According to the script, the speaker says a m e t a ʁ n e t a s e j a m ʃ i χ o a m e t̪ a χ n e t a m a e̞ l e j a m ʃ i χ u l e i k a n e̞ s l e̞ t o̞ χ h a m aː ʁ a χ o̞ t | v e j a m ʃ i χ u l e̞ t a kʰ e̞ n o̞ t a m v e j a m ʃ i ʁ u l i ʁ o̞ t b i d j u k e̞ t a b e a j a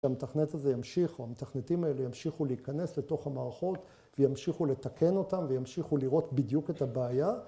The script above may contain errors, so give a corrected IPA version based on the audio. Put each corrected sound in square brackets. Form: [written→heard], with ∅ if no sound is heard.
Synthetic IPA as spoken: a m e t a [ʁ→χ] n e t a [s→z] e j a m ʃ i χ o a m e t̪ a χ n e t [a→i] m a e̞ l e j a m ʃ i χ u l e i k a n e̞ s l e̞ t o̞ χ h a m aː ʁ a χ o̞ t | v e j a m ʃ i χ u l e̞ t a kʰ e̞ n o̞ t a m v e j a m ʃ i [ʁ→χ] u l i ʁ o̞ t b i d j u k e̞ t a b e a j a